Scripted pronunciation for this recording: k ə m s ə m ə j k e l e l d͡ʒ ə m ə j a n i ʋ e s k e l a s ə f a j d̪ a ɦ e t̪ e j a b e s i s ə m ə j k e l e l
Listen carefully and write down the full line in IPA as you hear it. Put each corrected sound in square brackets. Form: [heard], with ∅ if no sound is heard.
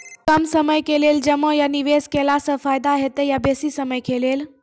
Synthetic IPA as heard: k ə m s ə m ə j k e l e l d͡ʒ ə m ə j a n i ʋ e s k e l a s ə f a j d̪ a ɦ e t̪ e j a b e s i s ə m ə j k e l e l

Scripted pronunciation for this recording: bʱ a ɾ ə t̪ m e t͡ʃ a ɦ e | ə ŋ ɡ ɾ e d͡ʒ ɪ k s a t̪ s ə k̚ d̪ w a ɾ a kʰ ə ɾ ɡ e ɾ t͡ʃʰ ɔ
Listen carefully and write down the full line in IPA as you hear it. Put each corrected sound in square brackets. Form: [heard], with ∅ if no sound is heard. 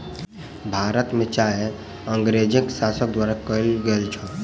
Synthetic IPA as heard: bʱ a ɾ ə t̪ m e t͡ʃ a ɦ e | ə ŋ ɡ ɾ e d͡ʒ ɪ k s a [∅] s ə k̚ d̪ w a ɾ a [k] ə [l] ɡ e [l] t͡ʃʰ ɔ

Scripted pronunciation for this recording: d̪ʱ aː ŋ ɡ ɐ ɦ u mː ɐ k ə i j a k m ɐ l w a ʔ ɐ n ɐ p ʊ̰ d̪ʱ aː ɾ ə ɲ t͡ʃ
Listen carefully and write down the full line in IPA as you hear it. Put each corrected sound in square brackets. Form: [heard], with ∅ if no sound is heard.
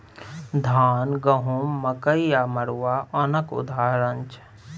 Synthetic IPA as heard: d̪ʱ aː [n] ɡ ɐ ɦ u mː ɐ k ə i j a [∅] m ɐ [ɾ] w a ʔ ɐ n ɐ [k] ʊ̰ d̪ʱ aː ɾ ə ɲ t͡ʃ

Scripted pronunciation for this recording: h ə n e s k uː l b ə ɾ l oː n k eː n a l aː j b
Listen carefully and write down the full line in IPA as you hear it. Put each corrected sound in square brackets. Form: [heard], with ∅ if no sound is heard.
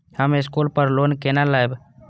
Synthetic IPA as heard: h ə [m] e s k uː l [p] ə ɾ l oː n k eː n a l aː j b

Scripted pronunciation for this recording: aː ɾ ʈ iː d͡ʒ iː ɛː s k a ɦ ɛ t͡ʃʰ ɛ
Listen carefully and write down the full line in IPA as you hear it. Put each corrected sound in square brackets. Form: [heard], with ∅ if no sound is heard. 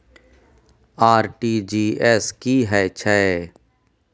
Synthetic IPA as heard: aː ɾ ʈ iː d͡ʒ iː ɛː s k [i] ɦ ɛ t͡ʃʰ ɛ

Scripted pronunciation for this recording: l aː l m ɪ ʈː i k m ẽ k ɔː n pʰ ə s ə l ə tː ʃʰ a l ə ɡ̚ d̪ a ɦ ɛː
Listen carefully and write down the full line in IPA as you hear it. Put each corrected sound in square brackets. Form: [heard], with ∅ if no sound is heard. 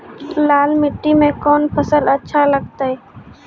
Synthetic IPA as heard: l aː l m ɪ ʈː i [∅] m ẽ k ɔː n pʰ ə s ə l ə tː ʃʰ a l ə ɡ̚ [t̪] a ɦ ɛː

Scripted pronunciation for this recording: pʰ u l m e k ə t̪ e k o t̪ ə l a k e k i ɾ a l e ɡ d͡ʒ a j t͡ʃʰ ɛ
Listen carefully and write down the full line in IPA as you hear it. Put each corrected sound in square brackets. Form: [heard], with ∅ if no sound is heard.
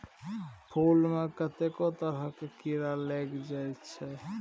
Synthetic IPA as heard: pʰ u l m e k ə t̪ e k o t̪ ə [ɾ] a k e k i ɾ a l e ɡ d͡ʒ a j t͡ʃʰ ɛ

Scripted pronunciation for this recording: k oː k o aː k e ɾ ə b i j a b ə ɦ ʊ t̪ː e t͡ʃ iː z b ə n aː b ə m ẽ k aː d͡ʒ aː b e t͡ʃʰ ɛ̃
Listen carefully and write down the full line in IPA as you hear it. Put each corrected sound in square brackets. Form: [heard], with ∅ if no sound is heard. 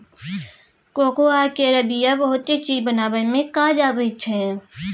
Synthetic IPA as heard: k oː k o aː k e ɾ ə b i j a b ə ɦ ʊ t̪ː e t͡ʃ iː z b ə n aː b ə m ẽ k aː d͡ʒ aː b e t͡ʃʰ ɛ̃

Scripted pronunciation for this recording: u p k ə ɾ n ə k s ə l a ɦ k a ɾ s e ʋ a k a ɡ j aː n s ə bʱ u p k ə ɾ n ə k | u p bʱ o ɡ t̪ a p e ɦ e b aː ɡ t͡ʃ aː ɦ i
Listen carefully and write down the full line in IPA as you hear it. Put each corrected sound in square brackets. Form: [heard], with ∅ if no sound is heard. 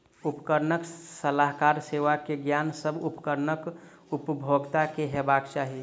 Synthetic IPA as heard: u p k ə ɾ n ə k s ə l a ɦ k a ɾ s e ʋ a k [e] ɡ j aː n s ə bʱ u p k ə ɾ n ə k | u p bʱ o ɡ t̪ a [k] e ɦ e b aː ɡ t͡ʃ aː ɦ i

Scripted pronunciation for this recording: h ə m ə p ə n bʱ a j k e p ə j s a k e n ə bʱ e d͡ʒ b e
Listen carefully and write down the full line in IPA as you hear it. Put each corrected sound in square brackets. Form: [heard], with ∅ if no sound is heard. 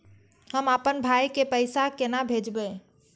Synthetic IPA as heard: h ə m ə p ə n bʱ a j k e p ə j s a k e n [a] bʱ e d͡ʒ b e

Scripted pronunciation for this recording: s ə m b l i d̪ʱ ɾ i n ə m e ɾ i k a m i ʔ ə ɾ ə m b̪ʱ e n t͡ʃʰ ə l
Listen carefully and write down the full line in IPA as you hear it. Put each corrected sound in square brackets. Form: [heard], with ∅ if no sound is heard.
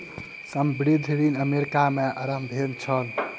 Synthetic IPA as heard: s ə m b [ɾ] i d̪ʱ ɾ i n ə m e ɾ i k a m [e] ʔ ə ɾ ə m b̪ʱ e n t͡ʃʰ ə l

